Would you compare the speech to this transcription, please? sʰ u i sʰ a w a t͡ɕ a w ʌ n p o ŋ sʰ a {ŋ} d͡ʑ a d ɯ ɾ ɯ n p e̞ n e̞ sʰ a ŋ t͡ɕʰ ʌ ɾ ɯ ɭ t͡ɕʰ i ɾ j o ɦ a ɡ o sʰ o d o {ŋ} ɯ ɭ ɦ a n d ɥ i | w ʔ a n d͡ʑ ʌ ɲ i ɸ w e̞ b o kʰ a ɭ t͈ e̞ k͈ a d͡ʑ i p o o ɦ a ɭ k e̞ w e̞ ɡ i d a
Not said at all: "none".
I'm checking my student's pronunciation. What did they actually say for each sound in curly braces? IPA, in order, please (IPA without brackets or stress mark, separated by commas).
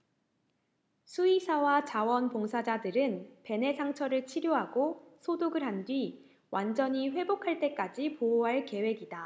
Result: none, ɡ